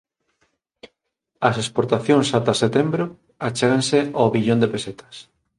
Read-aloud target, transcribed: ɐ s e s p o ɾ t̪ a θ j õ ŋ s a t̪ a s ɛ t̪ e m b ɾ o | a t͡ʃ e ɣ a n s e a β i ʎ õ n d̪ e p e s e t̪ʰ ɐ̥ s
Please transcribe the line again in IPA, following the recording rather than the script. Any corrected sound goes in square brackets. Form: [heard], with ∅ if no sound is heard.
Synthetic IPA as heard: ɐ s e s p o ɾ t̪ a θ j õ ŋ s a t̪ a s [e] t̪ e m b ɾ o | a t͡ʃ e ɣ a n s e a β i ʎ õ n d̪ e p e s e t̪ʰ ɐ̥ s